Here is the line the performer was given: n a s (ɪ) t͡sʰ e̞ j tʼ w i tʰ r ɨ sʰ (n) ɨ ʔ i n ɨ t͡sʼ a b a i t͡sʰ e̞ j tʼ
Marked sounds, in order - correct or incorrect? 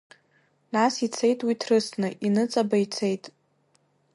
incorrect: i, correct

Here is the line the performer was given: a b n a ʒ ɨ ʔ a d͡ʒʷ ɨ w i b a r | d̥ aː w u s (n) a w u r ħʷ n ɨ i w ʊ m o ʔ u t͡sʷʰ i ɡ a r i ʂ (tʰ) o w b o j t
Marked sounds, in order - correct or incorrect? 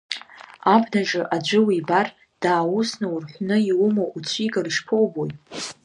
correct, incorrect: pʰ

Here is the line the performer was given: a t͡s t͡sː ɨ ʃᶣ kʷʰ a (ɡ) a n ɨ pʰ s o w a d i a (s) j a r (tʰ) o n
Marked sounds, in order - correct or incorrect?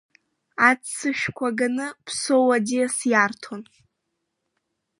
correct, correct, correct

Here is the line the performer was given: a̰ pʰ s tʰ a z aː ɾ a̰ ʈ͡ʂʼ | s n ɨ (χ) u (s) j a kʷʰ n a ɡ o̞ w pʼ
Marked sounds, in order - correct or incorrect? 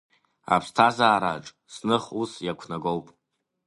correct, correct

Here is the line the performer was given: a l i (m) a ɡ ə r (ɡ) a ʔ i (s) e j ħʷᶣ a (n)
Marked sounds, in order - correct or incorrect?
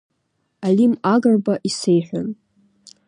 correct, incorrect: b, correct, correct

